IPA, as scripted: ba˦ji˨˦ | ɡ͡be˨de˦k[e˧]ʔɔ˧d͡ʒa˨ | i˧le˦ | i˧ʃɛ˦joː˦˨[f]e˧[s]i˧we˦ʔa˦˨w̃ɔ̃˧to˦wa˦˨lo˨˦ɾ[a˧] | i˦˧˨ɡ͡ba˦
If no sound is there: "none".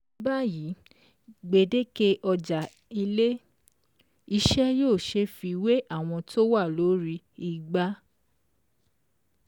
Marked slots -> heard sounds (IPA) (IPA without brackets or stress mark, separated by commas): e˧, ʃ, f, i˧